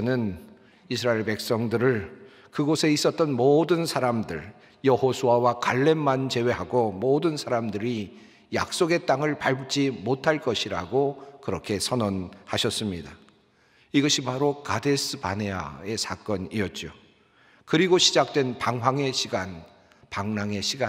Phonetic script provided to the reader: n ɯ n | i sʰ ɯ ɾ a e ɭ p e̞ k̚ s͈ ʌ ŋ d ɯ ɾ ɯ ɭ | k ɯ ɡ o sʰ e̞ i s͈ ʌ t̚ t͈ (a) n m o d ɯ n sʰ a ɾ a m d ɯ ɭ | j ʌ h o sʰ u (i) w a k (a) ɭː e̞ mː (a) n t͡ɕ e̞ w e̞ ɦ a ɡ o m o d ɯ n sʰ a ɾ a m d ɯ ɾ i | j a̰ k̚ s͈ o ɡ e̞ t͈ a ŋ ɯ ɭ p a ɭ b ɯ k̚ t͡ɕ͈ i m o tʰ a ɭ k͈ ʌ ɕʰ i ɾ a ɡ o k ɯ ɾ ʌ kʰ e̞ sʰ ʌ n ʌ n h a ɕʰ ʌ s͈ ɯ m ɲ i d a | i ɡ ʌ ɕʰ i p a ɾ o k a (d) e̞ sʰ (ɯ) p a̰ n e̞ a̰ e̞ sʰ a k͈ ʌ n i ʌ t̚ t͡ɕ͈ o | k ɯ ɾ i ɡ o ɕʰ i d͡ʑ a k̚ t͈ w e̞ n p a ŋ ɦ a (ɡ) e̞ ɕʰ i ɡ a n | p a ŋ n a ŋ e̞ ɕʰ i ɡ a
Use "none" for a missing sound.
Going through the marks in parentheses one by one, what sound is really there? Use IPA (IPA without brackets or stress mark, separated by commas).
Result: ʌ, a, a, a, d, ɯ, ŋ